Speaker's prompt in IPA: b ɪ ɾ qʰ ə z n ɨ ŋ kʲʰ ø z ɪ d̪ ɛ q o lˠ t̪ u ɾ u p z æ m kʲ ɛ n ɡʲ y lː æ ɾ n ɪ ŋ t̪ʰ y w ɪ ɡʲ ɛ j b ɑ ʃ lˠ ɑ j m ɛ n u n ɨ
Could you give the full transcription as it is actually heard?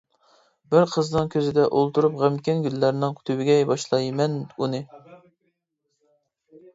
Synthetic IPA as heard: b ɪ ɾ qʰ ə z n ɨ ŋ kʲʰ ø z ɪ d̪ ɛ ʔ o lˠ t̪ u ɾ u p ʁ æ m kʲ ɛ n ɡʲ y lː æ ɾ n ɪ ŋ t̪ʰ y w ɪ ɡʲ ɛ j b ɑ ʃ lˠ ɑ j m ɛ n u n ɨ